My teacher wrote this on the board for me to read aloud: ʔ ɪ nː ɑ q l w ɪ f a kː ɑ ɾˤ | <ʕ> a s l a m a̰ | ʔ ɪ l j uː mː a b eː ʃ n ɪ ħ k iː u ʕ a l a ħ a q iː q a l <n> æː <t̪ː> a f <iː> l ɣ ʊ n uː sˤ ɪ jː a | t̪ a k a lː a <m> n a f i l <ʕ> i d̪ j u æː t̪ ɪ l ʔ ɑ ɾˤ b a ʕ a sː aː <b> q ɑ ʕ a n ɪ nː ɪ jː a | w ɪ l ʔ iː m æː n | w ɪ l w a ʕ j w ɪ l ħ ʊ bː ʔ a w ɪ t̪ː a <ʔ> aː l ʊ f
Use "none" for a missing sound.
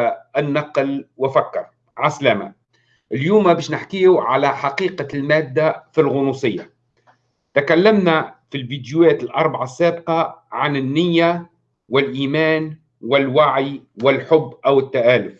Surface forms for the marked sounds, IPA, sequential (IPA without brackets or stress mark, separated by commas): ʕ, m, d̪ː, i, m, v, b, ʔ